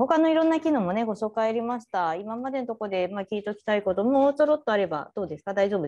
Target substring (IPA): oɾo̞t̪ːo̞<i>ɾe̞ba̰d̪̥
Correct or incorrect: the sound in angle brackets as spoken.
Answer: incorrect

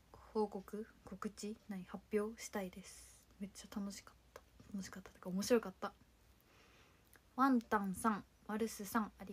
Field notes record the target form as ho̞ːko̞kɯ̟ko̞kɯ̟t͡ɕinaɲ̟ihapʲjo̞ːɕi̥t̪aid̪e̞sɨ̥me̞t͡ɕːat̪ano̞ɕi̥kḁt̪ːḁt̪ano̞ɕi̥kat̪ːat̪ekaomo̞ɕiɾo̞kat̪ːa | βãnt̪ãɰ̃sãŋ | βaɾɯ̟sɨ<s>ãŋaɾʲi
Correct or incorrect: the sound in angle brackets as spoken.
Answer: correct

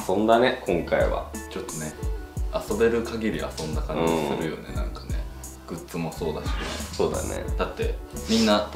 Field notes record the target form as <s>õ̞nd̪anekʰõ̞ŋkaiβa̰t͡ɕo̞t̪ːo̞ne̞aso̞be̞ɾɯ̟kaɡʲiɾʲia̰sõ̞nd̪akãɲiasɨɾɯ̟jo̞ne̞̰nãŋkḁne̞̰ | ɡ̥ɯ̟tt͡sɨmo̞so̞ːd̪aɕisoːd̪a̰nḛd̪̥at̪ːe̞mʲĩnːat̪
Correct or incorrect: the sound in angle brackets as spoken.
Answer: correct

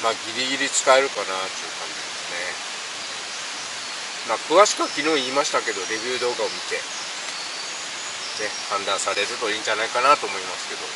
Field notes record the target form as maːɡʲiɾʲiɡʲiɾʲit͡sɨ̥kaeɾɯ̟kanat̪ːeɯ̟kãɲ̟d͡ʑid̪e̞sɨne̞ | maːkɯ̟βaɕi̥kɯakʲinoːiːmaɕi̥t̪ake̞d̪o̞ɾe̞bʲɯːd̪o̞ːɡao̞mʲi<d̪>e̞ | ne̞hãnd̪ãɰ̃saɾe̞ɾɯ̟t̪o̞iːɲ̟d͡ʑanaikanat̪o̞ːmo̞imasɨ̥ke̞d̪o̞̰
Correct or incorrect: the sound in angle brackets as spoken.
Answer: incorrect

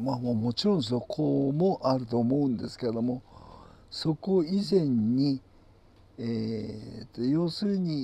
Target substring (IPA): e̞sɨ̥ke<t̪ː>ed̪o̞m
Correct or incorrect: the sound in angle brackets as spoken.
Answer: incorrect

